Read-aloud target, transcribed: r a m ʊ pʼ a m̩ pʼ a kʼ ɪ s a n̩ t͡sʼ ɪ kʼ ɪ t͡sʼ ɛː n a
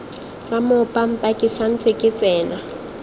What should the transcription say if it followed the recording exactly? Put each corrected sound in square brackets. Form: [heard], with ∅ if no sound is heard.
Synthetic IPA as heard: r a m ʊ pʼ a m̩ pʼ a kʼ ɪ s a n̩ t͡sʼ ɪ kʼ ɪ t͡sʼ ɛː n a